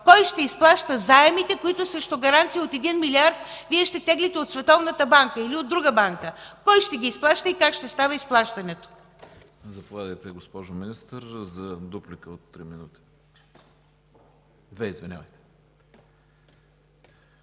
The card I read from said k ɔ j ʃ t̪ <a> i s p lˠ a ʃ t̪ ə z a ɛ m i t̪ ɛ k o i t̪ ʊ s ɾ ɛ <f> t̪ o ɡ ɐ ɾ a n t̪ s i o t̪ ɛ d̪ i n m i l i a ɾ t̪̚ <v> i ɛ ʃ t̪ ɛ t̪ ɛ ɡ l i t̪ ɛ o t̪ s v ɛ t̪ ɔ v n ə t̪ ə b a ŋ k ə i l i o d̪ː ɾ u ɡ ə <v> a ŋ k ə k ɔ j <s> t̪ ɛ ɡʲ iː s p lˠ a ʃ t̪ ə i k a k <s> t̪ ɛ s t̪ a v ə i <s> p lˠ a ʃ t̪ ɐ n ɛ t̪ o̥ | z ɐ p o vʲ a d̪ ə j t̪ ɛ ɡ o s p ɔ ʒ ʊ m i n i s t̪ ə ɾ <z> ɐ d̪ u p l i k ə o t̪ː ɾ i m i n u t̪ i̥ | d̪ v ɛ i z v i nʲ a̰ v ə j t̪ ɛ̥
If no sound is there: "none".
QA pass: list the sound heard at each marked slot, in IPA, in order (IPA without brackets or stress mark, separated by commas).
ɛ, ʃ, v, b, ʃ, ʃ, s, z